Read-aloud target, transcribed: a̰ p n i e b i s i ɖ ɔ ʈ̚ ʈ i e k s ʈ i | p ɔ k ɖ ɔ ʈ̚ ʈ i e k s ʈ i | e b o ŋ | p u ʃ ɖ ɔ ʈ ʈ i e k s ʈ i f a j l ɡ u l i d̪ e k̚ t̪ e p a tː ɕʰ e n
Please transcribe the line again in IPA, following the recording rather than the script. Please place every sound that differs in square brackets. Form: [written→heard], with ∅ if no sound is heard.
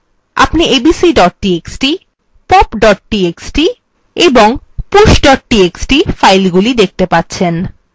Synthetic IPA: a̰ p n i e b i s i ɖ ɔ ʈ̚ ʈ i e k s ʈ i | p ɔ [k→p] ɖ ɔ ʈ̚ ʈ i e k s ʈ i | e b o ŋ | p u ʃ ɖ ɔ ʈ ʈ i e k s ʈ i f a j l ɡ u l i d̪ e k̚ t̪ e p a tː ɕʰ e n